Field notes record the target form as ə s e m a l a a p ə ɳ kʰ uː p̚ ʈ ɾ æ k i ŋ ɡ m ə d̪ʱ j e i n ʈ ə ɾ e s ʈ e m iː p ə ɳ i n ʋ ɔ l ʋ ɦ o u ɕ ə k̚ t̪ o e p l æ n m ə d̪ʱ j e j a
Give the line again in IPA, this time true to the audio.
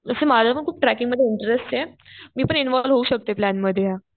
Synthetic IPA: ə s e m a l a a p ə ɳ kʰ uː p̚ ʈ ɾ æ k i ŋ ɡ m ə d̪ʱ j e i ɳ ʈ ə ɾ e s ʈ e m iː p ə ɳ i n ʋ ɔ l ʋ ɦ o u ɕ ə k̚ t̪ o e p l æ n m ə d̪ʱ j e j a